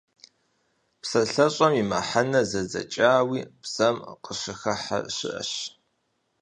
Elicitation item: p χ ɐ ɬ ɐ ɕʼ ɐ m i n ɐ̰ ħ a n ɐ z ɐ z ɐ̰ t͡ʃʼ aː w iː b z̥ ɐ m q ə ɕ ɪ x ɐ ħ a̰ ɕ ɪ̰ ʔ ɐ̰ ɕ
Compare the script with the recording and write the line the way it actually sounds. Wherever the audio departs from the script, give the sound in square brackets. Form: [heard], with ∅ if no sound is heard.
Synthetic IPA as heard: p [s] ɐ ɬ ɐ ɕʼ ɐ m i [m] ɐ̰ ħ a n ɐ z ɐ z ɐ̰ t͡ʃʼ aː w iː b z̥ ɐ m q ə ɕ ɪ x ɐ ħ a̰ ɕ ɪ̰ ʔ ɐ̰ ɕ